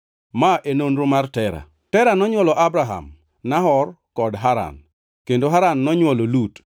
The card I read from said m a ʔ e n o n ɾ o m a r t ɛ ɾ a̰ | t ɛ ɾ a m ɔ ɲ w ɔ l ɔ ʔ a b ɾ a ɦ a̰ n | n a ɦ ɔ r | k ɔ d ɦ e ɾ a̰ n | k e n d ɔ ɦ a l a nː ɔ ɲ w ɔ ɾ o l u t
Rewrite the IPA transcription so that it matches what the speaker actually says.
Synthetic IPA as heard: m a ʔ e n o n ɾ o m a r t ɛ ɾ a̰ | t ɛ ɾ a n ɔ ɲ w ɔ l ɔ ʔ a b ɾ a ɦ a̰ m | n a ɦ ɔ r | k ɔ d ɦ a ɾ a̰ n | k e n d o ɦ a ɾ a nː ɔ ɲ w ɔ l o l u t